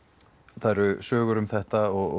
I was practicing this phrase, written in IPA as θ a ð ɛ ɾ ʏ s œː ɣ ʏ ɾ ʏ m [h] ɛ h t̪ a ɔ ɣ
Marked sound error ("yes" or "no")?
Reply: yes